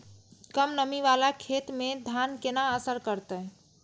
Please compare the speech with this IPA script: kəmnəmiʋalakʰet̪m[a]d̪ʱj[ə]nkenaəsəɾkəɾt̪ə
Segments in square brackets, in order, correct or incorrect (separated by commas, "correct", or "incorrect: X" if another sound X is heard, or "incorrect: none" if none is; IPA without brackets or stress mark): incorrect: e, incorrect: a